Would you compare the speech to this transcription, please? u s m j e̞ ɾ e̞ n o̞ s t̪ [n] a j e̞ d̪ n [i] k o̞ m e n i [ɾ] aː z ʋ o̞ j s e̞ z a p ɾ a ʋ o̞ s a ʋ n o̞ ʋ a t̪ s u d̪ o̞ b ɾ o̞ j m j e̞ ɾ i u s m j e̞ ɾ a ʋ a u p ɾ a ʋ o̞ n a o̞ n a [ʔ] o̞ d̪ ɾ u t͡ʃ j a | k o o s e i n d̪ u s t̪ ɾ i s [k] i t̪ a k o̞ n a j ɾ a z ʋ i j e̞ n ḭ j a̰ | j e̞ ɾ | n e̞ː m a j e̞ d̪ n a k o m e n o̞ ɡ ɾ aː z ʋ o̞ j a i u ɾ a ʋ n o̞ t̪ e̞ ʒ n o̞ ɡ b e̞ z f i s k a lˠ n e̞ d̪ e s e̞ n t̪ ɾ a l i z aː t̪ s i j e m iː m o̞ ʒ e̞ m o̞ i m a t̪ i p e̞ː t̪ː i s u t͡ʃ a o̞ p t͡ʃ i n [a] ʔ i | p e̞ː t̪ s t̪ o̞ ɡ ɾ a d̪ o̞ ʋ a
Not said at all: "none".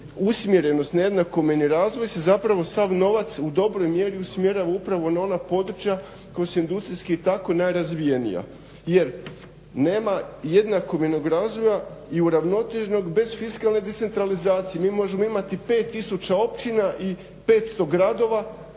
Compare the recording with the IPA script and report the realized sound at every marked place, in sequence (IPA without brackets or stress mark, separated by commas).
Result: n, a, ɾ, p, k, a